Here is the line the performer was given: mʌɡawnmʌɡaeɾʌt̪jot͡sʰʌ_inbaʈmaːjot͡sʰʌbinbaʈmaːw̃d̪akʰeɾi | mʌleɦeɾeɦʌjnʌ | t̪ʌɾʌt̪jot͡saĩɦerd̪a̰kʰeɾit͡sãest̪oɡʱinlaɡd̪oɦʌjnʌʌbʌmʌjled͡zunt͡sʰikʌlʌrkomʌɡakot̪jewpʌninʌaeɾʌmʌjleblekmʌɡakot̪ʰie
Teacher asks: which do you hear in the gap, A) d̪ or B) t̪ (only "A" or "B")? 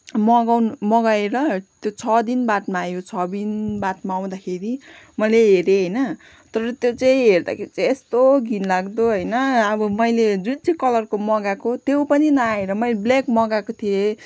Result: A